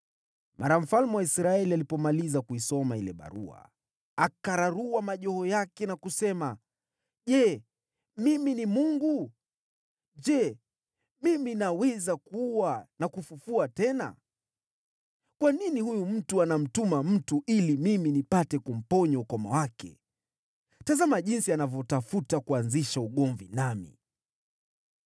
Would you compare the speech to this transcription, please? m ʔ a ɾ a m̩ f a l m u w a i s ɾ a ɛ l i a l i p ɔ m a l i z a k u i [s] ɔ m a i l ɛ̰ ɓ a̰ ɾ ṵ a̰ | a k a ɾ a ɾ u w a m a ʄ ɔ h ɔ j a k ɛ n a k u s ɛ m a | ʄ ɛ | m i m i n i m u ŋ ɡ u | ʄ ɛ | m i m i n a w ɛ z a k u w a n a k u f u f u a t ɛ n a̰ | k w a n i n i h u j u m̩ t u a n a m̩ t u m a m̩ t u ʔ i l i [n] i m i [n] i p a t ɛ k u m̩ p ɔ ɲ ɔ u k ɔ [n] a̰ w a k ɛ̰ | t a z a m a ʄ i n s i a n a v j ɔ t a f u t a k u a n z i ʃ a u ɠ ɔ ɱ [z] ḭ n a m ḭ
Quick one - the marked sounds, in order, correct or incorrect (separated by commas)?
correct, incorrect, correct, incorrect, incorrect